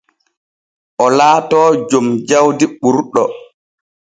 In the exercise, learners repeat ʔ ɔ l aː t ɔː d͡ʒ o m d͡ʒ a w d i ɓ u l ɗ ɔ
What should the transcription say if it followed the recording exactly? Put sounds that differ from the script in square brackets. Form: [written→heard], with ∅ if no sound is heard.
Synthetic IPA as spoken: ʔ ɔ l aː t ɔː d͡ʒ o m d͡ʒ a w d i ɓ u [l→ɾ] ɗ ɔ

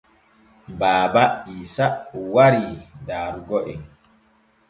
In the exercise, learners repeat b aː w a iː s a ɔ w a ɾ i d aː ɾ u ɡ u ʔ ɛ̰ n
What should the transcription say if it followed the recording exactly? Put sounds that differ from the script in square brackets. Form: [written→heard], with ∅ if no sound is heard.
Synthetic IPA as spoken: b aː [w→b] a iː s a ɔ w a ɾ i d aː ɾ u ɡ [u→ɔ] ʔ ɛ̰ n

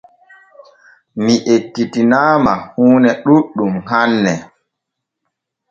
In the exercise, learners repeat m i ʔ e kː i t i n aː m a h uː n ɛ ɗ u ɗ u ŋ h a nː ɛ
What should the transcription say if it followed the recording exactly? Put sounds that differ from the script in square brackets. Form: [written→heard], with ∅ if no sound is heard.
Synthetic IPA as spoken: m i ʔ e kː i t i n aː m a h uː n ɛ ɗ u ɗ u [ŋ→m] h a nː ɛ

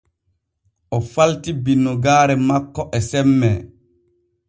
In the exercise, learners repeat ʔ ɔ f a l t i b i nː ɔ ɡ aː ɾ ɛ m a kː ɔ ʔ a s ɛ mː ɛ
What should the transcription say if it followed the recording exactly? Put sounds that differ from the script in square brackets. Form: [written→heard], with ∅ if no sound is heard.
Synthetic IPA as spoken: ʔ ɔ f a l t i b i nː ɔ ɡ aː ɾ ɛ m a kː ɔ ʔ [a→ɛ] s ɛ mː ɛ

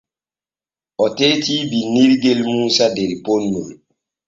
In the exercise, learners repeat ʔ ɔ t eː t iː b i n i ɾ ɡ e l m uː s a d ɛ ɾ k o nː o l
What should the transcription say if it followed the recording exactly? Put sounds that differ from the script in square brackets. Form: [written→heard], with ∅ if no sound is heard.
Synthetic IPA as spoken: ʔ ɔ t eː t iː b i n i ɾ ɡ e l m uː s a d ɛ ɾ [k→p] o nː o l

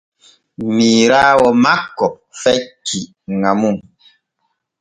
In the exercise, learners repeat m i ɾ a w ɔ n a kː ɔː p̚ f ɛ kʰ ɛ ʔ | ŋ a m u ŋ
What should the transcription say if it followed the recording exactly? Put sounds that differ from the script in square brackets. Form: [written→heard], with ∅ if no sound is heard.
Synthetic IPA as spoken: m i ɾ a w ɔ [n→m] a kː [ɔː→ɔ] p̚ f ɛ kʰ [ɛ→i] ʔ | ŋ a m u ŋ

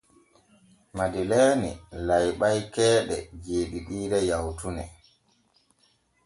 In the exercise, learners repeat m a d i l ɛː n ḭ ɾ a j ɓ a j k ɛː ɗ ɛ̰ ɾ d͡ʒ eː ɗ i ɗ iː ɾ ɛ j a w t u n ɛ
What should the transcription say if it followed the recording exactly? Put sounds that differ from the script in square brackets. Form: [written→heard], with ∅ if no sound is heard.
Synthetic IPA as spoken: m a d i l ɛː n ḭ [ɾ→l] a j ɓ a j k ɛː ɗ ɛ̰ [ɾ→∅] d͡ʒ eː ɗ i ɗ iː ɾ ɛ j a w t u n ɛ

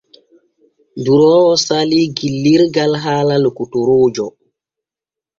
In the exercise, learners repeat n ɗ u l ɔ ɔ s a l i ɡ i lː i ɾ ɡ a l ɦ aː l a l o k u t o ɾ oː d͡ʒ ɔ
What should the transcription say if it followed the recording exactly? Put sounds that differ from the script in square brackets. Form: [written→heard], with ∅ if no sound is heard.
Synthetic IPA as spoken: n [ɗ→d] u [l→ɾ] ɔ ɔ s a l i ɡ i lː i ɾ ɡ a l ɦ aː l a l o k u t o ɾ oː d͡ʒ ɔ

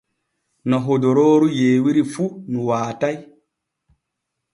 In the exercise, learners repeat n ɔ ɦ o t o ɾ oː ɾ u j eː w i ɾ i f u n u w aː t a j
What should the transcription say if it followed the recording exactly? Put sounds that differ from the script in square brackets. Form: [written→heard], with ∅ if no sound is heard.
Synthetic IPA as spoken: n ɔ ɦ o [t→d] o ɾ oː ɾ u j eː w i ɾ i f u n u w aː t a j

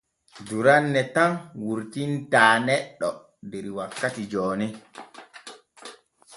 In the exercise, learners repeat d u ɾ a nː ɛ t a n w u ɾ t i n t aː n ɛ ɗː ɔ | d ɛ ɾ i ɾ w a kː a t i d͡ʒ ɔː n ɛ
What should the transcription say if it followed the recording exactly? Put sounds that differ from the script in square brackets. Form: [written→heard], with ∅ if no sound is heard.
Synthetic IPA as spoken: d u ɾ a nː ɛ t a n w u ɾ t i n t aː n ɛ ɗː ɔ | d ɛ ɾ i [ɾ→∅] w a kː a t i d͡ʒ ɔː n ɛ

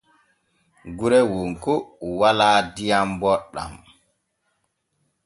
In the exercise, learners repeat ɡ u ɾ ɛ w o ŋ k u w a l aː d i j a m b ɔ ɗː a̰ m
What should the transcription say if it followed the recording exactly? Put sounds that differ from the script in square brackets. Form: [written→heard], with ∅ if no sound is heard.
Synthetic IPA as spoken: ɡ u ɾ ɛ w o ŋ k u w a l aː d i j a m b ɔ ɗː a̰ m

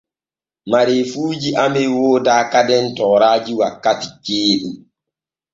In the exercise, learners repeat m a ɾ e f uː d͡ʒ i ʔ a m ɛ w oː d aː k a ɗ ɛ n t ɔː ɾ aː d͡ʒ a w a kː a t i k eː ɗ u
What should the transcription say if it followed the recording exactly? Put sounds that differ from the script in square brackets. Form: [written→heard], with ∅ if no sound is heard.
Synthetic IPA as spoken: m a ɾ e f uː d͡ʒ i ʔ a m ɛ w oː d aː k a [ɗ→d] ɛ n t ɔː ɾ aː d͡ʒ [a→i] w a kː a t i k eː ɗ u

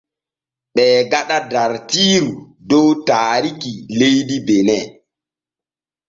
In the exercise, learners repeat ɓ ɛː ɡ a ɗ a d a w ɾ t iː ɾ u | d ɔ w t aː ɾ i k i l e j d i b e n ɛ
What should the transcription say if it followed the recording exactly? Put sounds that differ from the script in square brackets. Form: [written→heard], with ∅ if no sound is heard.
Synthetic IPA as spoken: ɓ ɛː ɡ a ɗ a d a [w→∅] ɾ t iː ɾ u | d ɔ w t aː ɾ i k i l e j d i b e n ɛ

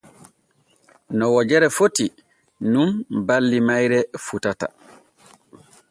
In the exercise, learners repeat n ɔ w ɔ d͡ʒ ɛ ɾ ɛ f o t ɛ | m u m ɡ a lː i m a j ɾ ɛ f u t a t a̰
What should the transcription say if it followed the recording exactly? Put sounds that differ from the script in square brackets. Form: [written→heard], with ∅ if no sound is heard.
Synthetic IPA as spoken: n ɔ w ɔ d͡ʒ ɛ ɾ ɛ f o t [ɛ→i] | [m→n] u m [ɡ→b] a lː i m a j ɾ ɛ f u t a t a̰

